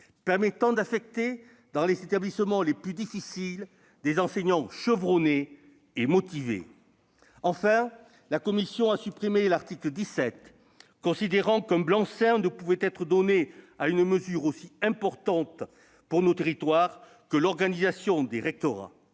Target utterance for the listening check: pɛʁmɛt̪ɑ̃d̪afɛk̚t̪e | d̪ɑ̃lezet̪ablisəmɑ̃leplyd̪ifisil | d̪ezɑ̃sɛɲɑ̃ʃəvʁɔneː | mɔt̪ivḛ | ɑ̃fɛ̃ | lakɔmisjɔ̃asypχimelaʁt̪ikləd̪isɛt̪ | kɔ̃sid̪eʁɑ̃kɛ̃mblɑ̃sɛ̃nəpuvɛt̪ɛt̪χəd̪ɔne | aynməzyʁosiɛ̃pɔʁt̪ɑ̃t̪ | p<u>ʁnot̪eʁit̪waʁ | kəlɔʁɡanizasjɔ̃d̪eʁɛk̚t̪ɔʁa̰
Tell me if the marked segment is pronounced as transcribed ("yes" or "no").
yes